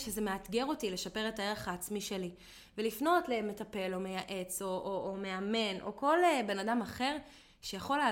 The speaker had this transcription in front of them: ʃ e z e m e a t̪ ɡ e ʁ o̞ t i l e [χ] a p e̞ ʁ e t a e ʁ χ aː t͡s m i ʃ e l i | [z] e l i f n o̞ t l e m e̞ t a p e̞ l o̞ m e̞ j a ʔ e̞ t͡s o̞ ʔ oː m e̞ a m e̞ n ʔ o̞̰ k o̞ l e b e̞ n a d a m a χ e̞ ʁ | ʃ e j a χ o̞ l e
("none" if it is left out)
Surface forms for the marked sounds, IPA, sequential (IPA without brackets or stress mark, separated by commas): ʃ, v